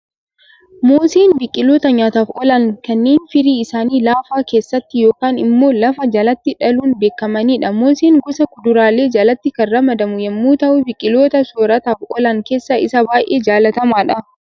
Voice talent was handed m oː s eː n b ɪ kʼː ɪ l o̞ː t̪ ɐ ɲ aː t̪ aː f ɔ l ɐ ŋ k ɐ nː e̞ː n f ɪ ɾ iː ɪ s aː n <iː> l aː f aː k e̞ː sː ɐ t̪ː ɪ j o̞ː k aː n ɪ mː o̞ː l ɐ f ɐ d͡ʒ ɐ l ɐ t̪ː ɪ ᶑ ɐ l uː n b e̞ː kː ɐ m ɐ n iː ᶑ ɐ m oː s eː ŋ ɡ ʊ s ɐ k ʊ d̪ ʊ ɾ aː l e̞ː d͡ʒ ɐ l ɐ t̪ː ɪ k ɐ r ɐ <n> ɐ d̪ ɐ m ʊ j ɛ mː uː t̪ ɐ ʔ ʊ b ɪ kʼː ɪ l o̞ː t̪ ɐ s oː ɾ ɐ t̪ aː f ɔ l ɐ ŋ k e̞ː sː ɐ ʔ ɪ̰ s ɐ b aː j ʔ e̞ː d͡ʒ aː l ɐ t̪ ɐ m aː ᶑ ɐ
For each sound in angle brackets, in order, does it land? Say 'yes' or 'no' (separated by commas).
yes, no